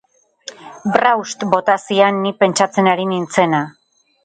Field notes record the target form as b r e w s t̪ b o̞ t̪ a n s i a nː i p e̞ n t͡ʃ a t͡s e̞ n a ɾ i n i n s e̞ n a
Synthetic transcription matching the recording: b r a w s t̪ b o̞ t̪ a s i a nː i p e̞ n t͡ʃ a t͡s e̞ n a ɾ i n i n t͡s e̞ n a

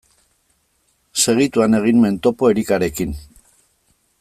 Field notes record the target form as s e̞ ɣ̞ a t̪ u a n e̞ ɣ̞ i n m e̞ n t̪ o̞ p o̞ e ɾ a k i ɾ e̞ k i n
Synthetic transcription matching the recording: s e̞ ɣ̞ i t̪ u a n e̞ ɣ̞ i n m e̞ n t̪ o̞ p o̞ e ɾ i k a ɾ e̞ k i n

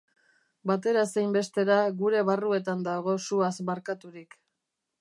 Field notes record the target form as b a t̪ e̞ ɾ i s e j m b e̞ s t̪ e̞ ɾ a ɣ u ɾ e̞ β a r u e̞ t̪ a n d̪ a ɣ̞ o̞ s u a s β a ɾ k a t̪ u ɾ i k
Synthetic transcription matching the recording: b a t̪ e̞ ɾ a s e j m b e̞ s t̪ e̞ ɾ a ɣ u ɾ e̞ β a r u e̞ t̪ a n d̪ a ɣ̞ o̞ s u a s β a ɾ k a t̪ u ɾ i k

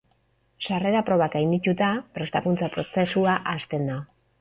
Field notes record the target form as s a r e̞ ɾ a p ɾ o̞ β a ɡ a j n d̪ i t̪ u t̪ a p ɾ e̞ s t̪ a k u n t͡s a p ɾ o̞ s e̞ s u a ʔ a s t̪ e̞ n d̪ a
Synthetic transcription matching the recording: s a r e̞ ɾ a p ɾ o̞ β a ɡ a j n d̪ i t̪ u t̪ a p ɾ e̞ s t̪ a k u n t͡s a p ɾ o̞ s e̞ s u a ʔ a s t̪ e̞ n d̪ a

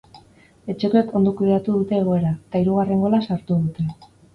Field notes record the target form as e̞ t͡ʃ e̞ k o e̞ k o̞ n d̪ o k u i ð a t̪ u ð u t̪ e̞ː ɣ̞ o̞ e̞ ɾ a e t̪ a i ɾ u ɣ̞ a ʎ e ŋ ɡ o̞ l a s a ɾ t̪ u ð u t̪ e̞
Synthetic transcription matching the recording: e̞ t͡ʃ e̞ k o e̞ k o̞ n d̪ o k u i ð a t̪ u ð u t̪ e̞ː ɣ̞ o̞ e̞ ɾ a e t̪ a i ɾ u ɣ̞ a r e ŋ ɡ o̞ l a s a ɾ t̪ u ð u t̪ e̞

